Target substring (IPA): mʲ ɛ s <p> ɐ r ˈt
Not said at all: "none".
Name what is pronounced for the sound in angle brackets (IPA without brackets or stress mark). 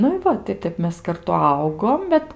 k